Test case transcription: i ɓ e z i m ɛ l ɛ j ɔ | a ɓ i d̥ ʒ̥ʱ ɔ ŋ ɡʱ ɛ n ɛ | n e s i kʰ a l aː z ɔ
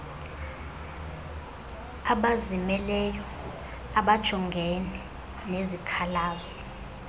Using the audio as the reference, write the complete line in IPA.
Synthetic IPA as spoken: a ɓ a z i m ɛ l ɛ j ɔ | a ɓ a d̥ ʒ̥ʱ ɔ ŋ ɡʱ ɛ n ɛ | n e z i kʰ a l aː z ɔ